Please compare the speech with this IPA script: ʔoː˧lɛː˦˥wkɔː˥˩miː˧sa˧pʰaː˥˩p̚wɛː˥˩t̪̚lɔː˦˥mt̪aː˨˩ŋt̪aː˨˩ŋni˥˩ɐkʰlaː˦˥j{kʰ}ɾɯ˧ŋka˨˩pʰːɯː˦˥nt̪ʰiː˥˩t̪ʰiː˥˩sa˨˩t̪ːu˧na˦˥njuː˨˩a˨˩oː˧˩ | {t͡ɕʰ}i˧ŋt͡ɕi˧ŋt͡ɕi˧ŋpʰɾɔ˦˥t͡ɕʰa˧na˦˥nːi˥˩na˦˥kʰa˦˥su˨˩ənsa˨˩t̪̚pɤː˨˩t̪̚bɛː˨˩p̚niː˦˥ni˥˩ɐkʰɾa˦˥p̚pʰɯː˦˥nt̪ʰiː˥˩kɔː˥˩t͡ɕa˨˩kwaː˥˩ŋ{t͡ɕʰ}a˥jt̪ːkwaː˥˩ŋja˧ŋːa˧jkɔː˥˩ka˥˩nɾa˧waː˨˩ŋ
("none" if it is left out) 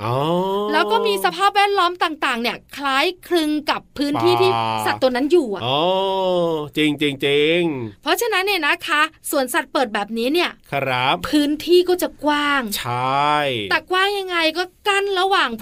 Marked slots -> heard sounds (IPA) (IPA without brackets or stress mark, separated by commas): kʰ, t͡ɕ, t͡ɕʰ